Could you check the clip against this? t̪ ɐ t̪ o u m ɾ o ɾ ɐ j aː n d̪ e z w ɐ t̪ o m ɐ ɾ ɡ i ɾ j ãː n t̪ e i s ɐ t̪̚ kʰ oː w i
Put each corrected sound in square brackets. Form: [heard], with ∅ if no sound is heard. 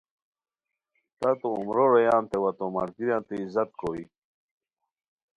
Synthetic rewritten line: t̪ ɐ t̪ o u m ɾ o ɾ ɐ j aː n [t̪] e [∅] w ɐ t̪ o m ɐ ɾ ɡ i ɾ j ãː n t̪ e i [z] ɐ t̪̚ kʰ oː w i

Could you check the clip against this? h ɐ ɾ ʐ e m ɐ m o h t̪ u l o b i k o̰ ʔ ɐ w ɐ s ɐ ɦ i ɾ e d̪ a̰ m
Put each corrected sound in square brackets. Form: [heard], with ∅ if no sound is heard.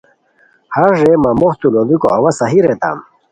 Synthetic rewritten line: h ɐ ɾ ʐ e m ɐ m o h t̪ u l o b i k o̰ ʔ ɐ w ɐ s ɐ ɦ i ɾ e [t̪] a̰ m

